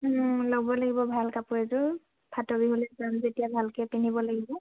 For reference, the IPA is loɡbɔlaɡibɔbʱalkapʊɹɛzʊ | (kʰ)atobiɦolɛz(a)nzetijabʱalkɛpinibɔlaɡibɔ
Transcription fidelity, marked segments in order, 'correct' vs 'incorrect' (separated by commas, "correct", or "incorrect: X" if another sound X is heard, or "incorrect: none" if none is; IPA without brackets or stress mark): incorrect: pʰ, correct